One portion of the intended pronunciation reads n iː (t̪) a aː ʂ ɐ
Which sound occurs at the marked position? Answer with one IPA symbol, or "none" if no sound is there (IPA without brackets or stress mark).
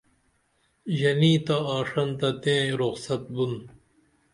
t̪